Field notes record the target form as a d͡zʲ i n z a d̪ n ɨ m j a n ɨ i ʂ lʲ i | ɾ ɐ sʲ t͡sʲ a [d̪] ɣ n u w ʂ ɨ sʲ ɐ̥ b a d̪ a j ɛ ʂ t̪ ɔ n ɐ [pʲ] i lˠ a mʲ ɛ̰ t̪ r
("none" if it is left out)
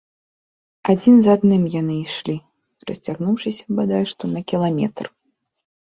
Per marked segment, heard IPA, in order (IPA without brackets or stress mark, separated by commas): none, kʲ